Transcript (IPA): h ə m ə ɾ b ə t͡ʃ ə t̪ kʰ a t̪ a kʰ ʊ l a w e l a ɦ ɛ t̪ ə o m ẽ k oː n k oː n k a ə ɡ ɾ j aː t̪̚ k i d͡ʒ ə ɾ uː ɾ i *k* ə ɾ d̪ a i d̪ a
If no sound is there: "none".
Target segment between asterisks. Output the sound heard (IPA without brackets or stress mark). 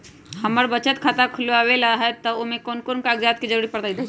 p